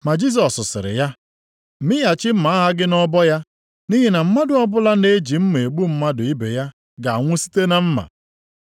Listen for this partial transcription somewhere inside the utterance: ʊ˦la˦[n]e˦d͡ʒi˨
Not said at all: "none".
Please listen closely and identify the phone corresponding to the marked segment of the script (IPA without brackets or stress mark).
n